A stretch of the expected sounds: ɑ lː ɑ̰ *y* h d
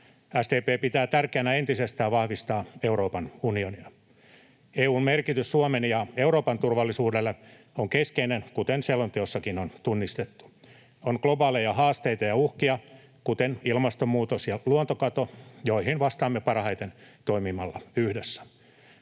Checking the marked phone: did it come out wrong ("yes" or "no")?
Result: no